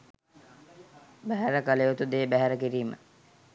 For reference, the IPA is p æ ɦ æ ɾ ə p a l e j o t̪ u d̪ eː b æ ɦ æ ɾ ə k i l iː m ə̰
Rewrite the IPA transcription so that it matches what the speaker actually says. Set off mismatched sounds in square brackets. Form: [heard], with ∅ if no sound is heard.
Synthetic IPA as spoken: [b] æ ɦ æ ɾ ə [k] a l e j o t̪ u d̪ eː b æ ɦ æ ɾ ə k i [ɾ] iː m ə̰